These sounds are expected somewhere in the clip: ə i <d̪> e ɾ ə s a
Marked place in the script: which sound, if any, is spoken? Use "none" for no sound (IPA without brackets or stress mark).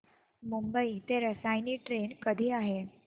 t̪